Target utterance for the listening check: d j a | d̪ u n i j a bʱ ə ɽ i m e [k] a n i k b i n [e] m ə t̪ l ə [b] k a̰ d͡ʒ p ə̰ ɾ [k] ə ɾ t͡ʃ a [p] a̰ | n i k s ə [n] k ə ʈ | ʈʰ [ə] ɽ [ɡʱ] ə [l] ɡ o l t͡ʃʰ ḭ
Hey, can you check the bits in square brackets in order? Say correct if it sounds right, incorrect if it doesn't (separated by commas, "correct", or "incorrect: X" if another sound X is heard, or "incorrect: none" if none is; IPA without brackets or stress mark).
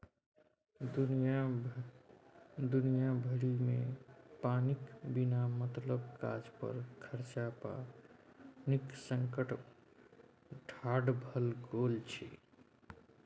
incorrect: p, incorrect: a, correct, incorrect: kʰ, correct, incorrect: ŋ, incorrect: a, incorrect: bʱ, correct